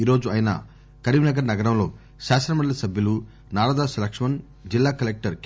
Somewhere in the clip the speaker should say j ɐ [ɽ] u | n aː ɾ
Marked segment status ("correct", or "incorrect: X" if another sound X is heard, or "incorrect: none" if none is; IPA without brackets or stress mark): incorrect: l